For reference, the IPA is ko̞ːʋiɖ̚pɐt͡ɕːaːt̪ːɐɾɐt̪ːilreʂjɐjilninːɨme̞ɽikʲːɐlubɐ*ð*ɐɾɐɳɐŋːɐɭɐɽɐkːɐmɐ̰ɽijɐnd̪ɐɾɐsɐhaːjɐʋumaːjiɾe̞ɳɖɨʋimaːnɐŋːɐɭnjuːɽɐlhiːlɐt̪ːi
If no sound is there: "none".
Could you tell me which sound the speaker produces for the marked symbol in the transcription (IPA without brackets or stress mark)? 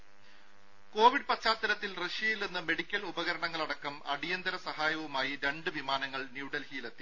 ɣ